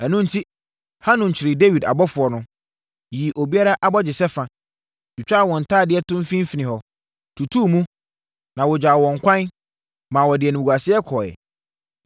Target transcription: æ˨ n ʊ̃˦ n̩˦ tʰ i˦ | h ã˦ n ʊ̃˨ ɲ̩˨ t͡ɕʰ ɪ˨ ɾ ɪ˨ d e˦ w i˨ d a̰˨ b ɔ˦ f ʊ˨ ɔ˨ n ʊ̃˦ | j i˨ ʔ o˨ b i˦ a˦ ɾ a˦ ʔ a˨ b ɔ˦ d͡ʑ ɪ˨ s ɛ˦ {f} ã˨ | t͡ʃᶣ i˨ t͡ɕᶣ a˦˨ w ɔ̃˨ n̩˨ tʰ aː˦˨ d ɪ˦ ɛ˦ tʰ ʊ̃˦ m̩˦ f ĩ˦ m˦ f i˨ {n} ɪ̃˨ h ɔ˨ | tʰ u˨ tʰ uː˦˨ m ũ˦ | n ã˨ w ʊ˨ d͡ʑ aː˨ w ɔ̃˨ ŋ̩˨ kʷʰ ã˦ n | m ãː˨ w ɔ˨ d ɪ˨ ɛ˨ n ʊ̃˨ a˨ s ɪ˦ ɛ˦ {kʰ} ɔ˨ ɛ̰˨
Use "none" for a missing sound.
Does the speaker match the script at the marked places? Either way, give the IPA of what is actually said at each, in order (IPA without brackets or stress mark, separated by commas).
f, n, kʰ